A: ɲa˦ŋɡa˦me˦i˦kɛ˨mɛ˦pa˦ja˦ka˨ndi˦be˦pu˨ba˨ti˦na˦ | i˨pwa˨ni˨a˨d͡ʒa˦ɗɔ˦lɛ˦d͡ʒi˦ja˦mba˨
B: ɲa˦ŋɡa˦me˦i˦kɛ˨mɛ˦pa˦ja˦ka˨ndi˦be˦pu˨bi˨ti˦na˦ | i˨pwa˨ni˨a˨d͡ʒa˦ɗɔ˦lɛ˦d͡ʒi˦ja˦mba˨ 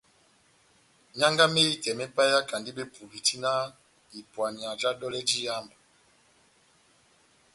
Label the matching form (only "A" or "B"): B